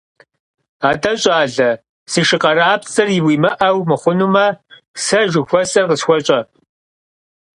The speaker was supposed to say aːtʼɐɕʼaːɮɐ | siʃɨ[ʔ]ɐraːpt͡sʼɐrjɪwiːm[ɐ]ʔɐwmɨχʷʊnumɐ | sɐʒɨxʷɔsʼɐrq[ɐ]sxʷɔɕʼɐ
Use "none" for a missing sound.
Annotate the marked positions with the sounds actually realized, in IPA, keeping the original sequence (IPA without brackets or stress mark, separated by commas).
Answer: q, ɐ, ə